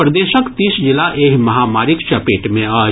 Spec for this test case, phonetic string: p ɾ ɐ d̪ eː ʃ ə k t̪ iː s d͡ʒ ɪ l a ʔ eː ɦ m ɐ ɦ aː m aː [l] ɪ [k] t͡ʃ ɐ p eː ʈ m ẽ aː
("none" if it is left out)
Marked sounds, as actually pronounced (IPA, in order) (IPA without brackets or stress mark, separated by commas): ɾ, k